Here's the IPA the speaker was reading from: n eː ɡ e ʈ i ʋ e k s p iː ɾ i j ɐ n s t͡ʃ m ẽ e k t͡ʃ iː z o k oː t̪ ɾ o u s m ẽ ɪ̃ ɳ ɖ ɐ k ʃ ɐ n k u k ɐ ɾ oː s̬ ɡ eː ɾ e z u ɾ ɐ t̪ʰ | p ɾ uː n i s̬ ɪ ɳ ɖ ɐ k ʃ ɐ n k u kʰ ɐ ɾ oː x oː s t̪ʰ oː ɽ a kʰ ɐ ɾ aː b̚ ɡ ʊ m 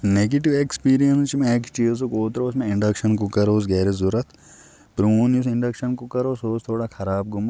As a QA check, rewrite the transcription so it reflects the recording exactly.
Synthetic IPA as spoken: n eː ɡ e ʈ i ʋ e k s p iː ɾ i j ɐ n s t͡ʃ m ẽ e k t͡ʃ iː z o k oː t̪ ɾ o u s m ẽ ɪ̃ ɳ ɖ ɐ k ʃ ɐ n k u k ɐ ɾ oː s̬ ɡ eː ɾ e z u ɾ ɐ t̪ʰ | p ɾ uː n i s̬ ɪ ɳ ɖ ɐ k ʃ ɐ n k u k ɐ ɾ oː s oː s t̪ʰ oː ɽ a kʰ ɐ ɾ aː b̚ ɡ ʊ m